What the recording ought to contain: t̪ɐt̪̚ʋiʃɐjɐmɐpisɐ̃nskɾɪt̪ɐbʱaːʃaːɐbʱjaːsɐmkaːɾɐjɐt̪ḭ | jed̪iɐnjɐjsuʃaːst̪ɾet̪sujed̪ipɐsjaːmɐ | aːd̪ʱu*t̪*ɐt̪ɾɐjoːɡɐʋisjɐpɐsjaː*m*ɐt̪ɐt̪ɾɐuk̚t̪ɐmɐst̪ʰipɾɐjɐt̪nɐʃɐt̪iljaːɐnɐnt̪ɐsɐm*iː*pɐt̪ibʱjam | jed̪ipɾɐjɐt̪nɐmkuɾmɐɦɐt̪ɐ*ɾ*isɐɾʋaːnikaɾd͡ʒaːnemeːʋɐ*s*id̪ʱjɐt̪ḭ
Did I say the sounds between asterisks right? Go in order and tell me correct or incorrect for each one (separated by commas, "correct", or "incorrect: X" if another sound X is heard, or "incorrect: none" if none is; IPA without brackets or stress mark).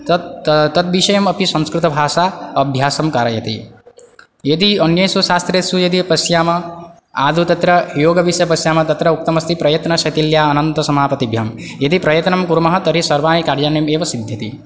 correct, correct, incorrect: aː, correct, correct